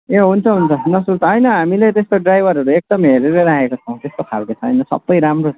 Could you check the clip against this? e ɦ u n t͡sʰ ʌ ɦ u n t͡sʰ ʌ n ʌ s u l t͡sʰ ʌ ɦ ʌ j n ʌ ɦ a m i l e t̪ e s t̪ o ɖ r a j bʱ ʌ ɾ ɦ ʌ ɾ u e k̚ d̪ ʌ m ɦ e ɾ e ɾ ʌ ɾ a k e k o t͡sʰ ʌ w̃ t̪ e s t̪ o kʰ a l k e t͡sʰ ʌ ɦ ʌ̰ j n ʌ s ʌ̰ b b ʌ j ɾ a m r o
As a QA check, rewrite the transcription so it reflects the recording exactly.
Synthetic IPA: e ɦ u n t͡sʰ ʌ ɦ u n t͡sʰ ʌ n ʌ s u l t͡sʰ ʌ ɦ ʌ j n ʌ ɦ a m i l e t̪ e s t̪ o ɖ r a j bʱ ʌ ɾ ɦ ʌ ɾ u e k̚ d̪ ʌ m ɦ e ɾ e ɾ ʌ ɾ a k e k o t͡sʰ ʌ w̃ t̪ e s t̪ o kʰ a l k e t͡sʰ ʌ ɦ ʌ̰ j n ʌ s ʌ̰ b b ʌ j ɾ a m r o